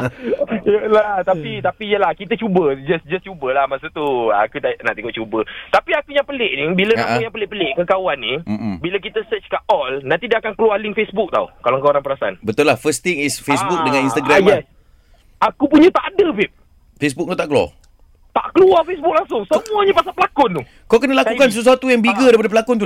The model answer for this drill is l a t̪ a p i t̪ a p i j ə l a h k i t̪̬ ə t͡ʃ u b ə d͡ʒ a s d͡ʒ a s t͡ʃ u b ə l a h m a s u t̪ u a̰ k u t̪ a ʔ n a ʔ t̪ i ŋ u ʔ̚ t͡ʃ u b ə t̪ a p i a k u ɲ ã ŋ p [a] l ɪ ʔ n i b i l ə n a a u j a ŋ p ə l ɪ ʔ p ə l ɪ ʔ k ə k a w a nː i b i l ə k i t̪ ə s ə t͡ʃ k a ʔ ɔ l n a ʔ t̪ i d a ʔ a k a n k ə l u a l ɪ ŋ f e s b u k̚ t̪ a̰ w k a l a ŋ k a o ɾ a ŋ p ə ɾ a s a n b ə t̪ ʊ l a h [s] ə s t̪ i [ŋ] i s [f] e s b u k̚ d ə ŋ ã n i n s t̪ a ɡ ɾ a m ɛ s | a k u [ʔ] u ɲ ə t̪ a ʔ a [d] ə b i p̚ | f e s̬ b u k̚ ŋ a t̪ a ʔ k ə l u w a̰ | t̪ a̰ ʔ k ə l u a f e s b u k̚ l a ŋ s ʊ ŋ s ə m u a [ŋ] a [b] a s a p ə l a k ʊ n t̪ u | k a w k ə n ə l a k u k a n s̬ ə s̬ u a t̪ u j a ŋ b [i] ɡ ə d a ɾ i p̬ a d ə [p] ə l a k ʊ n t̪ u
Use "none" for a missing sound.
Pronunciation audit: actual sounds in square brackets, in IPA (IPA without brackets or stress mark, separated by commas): ə, f, ŋ, f, p, d, ɲ, p, i, p